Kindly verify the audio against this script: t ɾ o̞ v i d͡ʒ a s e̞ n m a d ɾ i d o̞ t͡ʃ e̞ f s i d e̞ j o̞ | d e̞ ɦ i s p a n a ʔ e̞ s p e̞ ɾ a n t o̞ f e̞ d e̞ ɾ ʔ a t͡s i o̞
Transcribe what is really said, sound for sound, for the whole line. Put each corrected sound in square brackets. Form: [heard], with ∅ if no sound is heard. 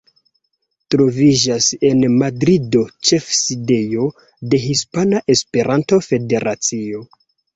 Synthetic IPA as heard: t ɾ o̞ v i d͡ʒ a s e̞ n m a d ɾ i d o̞ t͡ʃ e̞ f s i d e̞ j o̞ | d e̞ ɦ i s p a n a ʔ e̞ s p e̞ ɾ a n t o̞ f e̞ d e̞ ɾ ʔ a t͡s i o̞